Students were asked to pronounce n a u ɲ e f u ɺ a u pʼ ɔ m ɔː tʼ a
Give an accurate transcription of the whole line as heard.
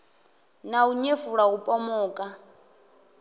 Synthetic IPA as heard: n a u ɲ e f u ɺ a u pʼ ɔ m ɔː kʼ a